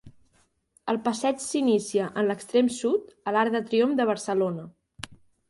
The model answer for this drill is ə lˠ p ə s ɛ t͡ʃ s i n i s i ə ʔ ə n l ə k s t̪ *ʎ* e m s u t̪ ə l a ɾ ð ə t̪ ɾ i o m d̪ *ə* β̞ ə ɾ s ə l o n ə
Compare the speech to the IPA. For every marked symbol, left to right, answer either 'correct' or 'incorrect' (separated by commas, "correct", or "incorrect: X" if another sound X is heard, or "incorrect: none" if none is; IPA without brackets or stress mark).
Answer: incorrect: ɾ, correct